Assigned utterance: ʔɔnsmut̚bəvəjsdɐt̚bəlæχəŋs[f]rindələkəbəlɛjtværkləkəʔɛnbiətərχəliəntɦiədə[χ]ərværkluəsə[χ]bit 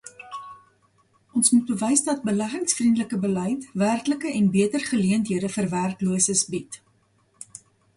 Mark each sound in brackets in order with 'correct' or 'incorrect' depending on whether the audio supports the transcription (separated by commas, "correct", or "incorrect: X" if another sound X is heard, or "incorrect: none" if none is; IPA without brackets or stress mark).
correct, incorrect: f, incorrect: s